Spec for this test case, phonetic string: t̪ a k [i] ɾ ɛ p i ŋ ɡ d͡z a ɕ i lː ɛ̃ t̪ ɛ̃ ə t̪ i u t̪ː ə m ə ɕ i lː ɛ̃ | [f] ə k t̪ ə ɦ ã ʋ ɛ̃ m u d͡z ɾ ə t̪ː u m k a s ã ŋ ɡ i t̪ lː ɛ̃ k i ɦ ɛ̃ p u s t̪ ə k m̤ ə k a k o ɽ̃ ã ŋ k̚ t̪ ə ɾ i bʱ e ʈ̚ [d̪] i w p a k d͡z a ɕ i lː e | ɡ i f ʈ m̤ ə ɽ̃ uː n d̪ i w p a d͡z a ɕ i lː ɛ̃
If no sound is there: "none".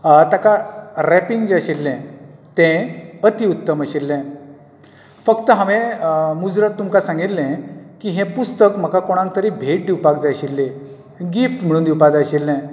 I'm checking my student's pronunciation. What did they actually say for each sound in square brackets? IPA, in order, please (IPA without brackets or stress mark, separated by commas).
a, f, d̪